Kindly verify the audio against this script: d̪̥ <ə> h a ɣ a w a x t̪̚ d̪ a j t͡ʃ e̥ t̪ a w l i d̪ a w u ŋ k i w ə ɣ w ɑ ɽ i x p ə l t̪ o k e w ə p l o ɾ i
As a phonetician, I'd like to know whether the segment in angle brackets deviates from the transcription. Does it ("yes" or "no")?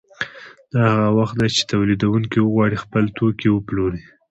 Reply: yes